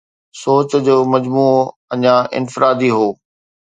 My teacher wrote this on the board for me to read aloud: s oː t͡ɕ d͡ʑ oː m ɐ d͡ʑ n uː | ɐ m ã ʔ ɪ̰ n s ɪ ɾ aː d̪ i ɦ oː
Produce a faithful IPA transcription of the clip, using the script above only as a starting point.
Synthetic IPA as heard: s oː t͡ɕ d͡ʑ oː m ɐ d͡ʑ m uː | ɐ ɲ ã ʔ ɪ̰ n f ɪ ɾ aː d̪ i ɦ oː